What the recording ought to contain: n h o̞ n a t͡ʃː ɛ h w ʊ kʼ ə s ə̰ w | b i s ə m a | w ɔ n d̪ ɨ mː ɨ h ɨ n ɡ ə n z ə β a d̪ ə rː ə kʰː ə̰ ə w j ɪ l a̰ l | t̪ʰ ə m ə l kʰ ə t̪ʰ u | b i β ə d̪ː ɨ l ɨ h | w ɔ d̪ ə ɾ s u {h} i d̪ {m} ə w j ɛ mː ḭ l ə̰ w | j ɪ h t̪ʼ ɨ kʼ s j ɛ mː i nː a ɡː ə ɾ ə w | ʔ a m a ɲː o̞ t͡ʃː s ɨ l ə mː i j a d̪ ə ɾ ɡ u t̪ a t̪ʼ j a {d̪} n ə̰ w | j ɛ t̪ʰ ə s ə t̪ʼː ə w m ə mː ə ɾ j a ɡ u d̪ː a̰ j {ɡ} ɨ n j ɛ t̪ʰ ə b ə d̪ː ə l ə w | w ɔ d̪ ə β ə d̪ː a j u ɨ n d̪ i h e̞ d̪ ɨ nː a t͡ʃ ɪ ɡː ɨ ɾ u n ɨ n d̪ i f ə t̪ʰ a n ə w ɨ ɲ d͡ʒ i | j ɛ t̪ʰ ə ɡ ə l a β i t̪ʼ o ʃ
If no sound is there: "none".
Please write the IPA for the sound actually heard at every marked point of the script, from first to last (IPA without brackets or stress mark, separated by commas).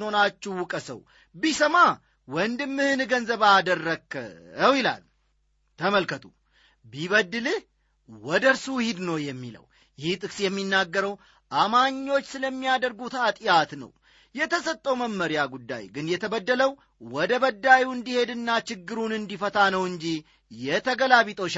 h, n, t̪, ɡ